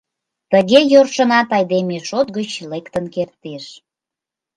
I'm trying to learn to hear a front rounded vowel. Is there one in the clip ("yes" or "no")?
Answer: no